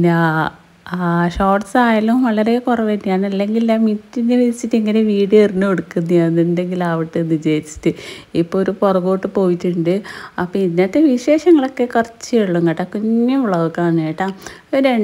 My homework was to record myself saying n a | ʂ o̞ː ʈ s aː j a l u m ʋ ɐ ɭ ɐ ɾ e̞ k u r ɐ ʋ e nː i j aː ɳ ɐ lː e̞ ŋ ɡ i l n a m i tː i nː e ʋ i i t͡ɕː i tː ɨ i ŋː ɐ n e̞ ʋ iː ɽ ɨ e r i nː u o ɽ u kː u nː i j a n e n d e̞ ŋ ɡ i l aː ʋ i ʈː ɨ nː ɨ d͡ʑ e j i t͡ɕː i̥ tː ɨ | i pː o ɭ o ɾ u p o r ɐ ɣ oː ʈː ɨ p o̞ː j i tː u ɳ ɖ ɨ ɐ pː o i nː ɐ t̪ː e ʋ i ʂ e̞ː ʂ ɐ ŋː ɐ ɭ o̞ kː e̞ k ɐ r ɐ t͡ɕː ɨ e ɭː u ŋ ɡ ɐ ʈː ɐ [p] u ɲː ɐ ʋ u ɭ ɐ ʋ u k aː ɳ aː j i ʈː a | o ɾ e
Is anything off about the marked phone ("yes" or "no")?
yes